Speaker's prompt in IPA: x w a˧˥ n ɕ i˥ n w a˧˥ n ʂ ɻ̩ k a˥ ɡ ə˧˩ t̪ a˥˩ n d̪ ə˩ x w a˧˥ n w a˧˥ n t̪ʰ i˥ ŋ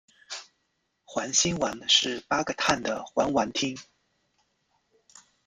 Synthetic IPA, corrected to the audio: x w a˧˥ n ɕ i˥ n w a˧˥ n ʂ ɻ̩ p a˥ ɡ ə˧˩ t̪ʰ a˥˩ n d̪ ə˩ x w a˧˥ n w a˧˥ n t̪ʰ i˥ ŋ